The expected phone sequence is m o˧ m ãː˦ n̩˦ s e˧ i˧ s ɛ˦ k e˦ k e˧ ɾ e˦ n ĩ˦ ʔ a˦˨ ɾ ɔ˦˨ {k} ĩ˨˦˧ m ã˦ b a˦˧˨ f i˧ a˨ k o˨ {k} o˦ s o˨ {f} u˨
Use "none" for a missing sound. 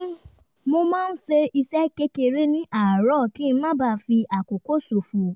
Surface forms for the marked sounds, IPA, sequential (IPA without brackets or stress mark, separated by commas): k, k, f